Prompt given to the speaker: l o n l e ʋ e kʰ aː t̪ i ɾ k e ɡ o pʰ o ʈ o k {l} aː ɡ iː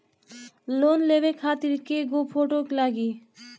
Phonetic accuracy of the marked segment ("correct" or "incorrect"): correct